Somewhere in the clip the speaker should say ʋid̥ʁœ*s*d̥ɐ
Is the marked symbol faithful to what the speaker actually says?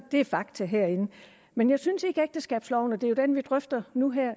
no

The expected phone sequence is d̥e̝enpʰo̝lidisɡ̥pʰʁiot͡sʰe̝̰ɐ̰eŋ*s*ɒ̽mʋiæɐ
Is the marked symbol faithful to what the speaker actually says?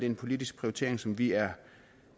yes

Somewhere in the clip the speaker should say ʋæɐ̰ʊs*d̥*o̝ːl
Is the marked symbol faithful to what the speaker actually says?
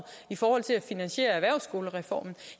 no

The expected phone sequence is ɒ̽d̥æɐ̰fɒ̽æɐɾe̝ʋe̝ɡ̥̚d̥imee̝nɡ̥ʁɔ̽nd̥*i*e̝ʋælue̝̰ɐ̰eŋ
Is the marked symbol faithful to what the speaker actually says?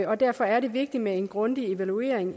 yes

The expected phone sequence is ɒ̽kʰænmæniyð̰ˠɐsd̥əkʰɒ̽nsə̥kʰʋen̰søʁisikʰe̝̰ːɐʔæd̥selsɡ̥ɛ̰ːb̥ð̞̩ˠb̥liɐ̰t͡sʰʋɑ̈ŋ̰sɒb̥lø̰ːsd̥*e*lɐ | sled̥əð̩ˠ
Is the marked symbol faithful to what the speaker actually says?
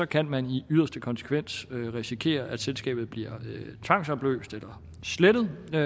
yes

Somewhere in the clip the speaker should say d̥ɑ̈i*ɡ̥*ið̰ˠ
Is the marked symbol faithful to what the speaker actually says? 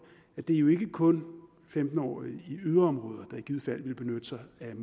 yes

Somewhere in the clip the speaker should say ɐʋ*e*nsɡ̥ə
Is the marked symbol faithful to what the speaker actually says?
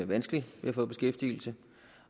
no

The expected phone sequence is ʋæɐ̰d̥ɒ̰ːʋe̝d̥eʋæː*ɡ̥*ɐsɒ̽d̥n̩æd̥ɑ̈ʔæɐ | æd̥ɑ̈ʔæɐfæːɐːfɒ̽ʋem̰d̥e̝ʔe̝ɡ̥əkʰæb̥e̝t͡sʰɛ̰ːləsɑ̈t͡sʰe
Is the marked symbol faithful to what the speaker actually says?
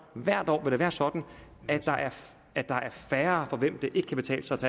no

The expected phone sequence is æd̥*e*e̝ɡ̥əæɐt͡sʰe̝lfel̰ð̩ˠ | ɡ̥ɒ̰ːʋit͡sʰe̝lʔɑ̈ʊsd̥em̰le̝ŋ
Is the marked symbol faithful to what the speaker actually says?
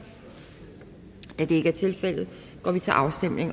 yes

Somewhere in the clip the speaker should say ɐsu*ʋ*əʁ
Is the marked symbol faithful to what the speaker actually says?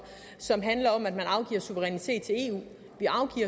yes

